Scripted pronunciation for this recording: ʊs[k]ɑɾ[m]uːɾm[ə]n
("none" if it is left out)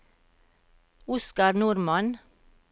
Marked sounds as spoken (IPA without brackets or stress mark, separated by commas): k, n, ɑ